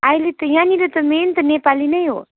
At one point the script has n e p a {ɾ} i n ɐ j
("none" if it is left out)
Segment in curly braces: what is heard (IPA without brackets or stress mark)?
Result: l